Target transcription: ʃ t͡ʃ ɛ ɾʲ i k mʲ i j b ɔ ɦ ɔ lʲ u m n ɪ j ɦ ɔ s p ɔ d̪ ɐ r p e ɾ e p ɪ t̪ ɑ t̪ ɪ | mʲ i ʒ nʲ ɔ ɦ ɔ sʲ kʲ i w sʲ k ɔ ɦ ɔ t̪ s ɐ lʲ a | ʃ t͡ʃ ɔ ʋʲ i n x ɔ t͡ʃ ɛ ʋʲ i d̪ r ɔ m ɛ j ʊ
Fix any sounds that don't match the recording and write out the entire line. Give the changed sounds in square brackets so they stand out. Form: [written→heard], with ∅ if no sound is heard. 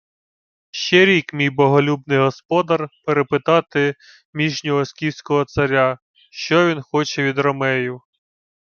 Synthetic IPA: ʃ t͡ʃ ɛ ɾʲ i k mʲ i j b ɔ ɦ ɔ lʲ u [m→b] n ɪ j ɦ ɔ s p ɔ d̪ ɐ r p e ɾ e p ɪ t̪ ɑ t̪ ɪ | mʲ i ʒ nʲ ɔ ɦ ɔ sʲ kʲ i w sʲ k ɔ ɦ ɔ t̪ s ɐ [lʲ→ɾʲ] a | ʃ t͡ʃ ɔ ʋʲ i n x ɔ t͡ʃ ɛ ʋʲ i d̪ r ɔ m ɛ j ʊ

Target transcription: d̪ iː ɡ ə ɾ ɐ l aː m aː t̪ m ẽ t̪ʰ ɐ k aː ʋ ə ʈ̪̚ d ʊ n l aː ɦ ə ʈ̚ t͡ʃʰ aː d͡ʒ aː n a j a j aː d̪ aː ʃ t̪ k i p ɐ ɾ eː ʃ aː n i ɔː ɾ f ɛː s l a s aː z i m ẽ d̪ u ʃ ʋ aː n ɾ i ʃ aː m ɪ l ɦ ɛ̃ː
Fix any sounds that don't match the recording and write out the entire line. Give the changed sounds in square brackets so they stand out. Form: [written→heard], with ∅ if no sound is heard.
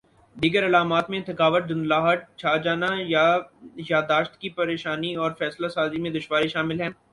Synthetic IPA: d̪ iː ɡ ə ɾ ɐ l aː m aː t̪ m ẽ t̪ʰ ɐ k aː ʋ ə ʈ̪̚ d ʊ n l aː ɦ ə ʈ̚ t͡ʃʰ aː d͡ʒ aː n a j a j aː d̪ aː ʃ t̪ k i p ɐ ɾ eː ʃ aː n i ɔː ɾ f ɛː s l a s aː z i m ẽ d̪ [u→ʊ] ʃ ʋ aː [n→∅] ɾ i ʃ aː m ɪ l ɦ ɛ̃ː

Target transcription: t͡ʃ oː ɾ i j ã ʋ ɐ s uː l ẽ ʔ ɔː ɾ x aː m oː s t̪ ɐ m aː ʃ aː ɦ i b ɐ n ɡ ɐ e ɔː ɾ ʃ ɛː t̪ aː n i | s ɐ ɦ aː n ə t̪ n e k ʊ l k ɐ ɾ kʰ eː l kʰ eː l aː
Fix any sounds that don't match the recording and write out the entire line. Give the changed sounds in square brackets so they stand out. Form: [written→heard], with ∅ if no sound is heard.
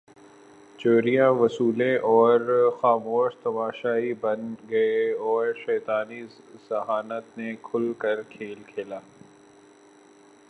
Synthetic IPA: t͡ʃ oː ɾ i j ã ʋ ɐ s uː l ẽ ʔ ɔː ɾ x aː m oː [s→ʃ] t̪ ɐ m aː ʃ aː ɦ i b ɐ n ɡ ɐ e ɔː ɾ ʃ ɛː t̪ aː n i | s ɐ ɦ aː n ə t̪ n e [k→kʰ] ʊ l k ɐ ɾ kʰ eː l kʰ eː l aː

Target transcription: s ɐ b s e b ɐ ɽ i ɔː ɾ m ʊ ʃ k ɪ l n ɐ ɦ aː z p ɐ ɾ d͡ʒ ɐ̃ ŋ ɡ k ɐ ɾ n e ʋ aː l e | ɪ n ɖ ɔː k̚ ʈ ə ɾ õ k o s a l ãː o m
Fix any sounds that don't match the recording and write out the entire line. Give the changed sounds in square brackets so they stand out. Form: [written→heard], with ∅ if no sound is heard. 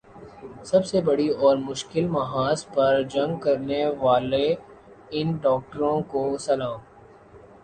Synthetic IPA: s ɐ b s e b ɐ ɽ i ɔː ɾ m ʊ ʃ k ɪ l [n→m] ɐ ɦ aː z p ɐ ɾ d͡ʒ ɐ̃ ŋ ɡ k ɐ ɾ n e ʋ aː l e | ɪ n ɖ ɔː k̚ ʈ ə ɾ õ k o s [a→ɐ] l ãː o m

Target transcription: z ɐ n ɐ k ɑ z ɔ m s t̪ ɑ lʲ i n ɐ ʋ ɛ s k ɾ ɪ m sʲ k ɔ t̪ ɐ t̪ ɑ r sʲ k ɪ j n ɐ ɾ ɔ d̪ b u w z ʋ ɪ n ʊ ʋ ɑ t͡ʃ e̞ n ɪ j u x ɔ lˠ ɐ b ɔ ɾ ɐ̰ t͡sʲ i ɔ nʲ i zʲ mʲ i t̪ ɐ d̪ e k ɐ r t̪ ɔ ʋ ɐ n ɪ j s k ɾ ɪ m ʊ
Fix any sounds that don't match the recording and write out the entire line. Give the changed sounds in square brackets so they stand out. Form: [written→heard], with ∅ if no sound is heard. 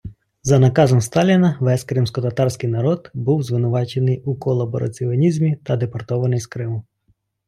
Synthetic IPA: z ɐ n ɐ k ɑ z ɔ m s t̪ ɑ lʲ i n ɐ ʋ ɛ s k ɾ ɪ m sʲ k ɔ t̪ ɐ t̪ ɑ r sʲ k ɪ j n ɐ ɾ ɔ d̪ b u w z ʋ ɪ n ʊ ʋ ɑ t͡ʃ e̞ n ɪ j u [x→k] ɔ lˠ ɐ b ɔ ɾ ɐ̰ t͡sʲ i ɔ nʲ i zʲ mʲ i t̪ ɐ d̪ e [k→p] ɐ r t̪ ɔ ʋ ɐ n ɪ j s k ɾ ɪ m ʊ

